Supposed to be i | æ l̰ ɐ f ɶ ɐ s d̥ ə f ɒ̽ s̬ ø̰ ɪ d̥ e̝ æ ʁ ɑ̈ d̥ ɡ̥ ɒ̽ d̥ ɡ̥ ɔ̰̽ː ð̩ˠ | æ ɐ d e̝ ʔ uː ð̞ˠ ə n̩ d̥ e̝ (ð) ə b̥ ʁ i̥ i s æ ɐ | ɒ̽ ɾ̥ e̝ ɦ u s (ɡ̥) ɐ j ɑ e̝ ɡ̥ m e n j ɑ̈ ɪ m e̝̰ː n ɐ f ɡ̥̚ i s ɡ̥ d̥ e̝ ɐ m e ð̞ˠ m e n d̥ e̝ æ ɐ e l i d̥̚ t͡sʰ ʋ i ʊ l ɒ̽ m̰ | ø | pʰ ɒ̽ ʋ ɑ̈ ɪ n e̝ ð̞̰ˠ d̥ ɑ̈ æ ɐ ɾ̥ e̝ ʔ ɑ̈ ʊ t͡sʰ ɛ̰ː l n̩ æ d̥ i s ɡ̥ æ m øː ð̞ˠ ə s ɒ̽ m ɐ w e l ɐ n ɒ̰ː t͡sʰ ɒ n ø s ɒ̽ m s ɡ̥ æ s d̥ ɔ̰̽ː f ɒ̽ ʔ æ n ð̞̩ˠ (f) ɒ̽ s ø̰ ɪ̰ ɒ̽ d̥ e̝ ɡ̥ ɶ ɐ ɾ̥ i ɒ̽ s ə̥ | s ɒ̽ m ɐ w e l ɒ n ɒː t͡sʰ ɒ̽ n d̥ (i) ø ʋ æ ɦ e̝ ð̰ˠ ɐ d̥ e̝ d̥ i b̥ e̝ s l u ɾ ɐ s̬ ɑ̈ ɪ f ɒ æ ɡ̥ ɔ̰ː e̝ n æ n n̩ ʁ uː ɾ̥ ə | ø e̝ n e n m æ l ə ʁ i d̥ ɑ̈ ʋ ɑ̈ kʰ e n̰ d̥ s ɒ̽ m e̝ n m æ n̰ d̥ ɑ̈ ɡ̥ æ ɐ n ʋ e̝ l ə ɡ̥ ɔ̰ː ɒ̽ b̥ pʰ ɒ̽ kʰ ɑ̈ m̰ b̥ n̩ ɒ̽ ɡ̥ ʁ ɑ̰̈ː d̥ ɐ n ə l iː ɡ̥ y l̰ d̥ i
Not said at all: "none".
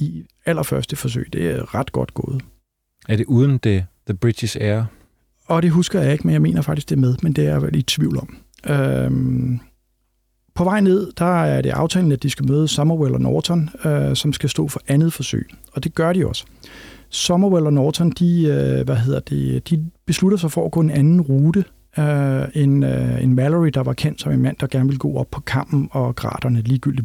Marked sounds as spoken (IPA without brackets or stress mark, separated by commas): ð, ɡ̥, f, i